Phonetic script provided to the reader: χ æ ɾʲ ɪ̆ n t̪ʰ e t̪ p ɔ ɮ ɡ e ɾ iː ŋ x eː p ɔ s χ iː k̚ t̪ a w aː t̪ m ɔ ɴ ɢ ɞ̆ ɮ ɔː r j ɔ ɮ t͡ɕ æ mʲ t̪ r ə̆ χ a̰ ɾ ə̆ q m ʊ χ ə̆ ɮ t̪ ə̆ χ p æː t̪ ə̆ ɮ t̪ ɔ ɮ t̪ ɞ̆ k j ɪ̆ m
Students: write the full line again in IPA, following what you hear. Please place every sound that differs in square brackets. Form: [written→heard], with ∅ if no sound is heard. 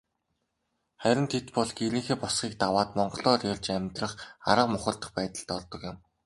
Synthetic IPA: χ æ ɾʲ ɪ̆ n t̪ʰ e t̪ p ɔ ɮ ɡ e ɾ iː ŋ x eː p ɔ s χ iː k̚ t̪ a w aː t̪ m ɔ ɴ ɢ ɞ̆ ɮ ɔː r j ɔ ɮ t͡ɕ æ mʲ t̪ r ə̆ χ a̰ ɾ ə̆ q m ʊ χ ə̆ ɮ t̪ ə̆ χ p æː t̪ ə̆ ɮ t̪ ɔ ɮ t̪ ɞ̆ k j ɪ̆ m